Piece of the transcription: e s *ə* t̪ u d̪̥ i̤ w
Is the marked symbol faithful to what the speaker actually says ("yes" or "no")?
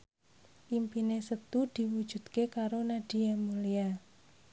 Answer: yes